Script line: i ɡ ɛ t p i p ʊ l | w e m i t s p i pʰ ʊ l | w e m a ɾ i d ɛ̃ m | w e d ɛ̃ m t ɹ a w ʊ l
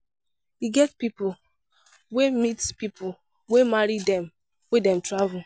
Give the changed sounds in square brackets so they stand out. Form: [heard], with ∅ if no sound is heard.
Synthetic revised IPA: i ɡ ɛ t p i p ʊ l | w e m i t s p i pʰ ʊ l | w e m a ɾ i d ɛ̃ m | w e d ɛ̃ m t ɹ a [v] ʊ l